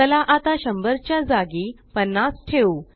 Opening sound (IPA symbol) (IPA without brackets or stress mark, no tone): ə